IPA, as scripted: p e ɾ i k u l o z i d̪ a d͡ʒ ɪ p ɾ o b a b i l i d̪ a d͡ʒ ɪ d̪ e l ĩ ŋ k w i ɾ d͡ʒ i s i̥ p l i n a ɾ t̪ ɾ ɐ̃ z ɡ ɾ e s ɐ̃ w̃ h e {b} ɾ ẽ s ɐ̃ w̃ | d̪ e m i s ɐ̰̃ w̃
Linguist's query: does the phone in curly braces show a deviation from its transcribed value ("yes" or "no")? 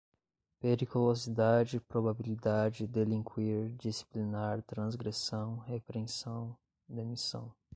yes